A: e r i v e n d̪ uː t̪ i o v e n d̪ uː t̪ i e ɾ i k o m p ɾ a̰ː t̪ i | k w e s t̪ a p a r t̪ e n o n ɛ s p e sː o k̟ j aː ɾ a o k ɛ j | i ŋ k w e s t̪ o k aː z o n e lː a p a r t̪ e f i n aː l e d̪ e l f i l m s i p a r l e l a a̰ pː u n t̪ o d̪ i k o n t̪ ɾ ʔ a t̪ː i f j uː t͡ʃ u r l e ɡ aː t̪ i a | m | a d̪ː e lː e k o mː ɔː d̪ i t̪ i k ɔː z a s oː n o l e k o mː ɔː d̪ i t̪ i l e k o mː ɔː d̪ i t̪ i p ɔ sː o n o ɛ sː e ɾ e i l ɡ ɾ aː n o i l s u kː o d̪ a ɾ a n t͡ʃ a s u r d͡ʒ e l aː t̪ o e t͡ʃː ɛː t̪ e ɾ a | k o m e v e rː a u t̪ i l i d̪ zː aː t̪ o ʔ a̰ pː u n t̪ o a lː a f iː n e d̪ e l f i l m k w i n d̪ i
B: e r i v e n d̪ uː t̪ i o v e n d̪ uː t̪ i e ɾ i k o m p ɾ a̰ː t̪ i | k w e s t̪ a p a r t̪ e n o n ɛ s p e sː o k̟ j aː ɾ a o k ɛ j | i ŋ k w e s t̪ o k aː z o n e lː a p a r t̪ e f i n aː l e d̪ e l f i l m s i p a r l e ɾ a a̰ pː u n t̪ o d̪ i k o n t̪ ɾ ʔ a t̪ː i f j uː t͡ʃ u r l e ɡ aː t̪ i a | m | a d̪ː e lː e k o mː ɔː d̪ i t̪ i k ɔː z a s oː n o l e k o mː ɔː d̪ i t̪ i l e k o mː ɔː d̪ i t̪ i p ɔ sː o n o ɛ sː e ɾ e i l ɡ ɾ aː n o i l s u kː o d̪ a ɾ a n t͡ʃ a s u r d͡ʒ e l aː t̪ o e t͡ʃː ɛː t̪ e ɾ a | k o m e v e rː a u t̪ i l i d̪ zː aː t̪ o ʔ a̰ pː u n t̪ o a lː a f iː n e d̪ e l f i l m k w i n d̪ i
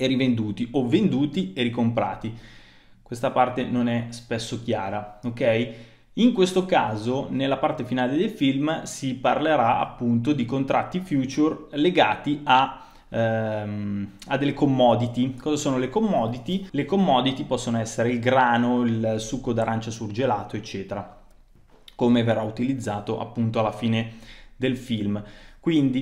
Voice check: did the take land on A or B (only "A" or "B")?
B